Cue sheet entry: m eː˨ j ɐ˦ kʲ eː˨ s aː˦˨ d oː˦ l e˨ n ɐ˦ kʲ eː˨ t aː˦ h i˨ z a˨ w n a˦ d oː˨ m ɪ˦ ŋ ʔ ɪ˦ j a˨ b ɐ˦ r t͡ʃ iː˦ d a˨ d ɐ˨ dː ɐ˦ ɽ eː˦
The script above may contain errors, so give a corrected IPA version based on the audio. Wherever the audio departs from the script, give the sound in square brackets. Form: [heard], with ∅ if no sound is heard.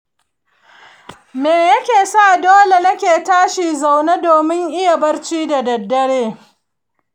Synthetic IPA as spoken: m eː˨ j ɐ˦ kʲ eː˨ s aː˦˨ d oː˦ l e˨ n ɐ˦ kʲ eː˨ t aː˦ [ʃ] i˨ z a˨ w n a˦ d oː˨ m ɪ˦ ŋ ʔ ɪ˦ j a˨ b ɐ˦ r t͡ʃ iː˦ d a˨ d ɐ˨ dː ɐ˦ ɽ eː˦